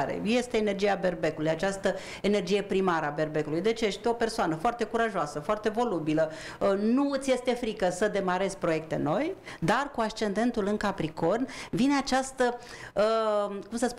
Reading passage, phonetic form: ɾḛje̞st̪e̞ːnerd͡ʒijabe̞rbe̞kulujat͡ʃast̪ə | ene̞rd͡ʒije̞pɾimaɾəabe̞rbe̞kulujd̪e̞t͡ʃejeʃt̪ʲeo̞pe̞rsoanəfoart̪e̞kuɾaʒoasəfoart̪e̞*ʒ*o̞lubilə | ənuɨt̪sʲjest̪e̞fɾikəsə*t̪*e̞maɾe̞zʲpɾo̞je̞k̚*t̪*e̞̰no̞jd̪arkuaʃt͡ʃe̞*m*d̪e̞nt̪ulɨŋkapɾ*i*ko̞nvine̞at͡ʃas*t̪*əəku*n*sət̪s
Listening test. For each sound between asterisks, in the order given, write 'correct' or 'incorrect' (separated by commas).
incorrect, incorrect, correct, incorrect, correct, correct, incorrect